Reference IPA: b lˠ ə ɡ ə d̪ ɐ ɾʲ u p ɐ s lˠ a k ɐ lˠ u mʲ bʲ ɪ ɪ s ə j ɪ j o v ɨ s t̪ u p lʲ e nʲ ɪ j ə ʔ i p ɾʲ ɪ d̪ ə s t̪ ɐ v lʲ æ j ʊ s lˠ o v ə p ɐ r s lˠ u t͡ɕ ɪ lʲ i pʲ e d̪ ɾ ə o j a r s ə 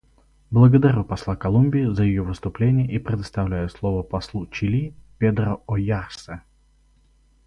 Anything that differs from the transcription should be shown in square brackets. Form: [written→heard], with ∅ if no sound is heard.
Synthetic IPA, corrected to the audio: b lˠ ə ɡ ə d̪ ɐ ɾʲ u p ɐ s lˠ a k ɐ lˠ u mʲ bʲ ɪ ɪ [s→z] ə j ɪ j o v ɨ s t̪ [u→ʊ] p lʲ e nʲ ɪ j ə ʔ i p ɾʲ ɪ d̪ ə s t̪ ɐ v lʲ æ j ʊ s lˠ o v ə p ɐ [r→∅] s lˠ u t͡ɕ ɪ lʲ i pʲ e d̪ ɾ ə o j a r s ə